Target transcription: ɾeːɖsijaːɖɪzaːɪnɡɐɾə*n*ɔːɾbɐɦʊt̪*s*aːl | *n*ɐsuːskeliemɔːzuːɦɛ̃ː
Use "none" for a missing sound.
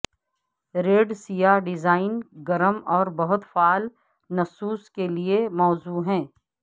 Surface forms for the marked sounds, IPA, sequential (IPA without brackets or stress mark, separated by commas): m, f, n